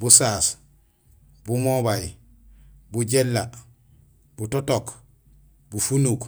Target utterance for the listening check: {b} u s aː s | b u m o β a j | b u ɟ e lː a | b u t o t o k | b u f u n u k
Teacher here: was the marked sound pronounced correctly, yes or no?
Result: yes